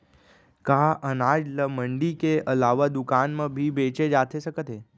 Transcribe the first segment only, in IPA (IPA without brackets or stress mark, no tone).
k